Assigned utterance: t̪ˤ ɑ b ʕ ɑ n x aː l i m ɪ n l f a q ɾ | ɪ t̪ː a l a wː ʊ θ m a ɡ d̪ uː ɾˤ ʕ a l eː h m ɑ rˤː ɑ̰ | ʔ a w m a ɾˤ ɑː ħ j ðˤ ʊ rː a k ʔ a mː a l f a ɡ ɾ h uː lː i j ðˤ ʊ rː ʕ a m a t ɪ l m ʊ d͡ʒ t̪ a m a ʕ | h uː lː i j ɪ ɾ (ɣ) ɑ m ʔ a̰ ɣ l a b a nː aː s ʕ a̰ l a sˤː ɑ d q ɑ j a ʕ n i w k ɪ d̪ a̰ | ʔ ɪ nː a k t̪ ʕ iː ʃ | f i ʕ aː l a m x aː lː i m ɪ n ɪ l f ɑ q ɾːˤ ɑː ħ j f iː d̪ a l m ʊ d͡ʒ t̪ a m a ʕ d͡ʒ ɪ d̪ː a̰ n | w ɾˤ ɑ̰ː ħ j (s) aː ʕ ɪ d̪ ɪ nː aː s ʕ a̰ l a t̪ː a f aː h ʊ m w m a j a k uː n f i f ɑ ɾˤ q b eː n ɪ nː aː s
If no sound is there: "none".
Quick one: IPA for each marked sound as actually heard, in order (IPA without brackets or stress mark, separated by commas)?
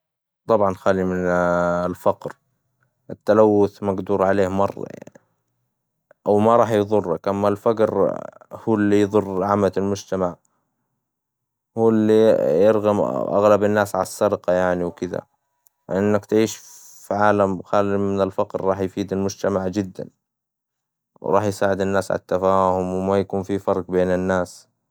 ɣ, s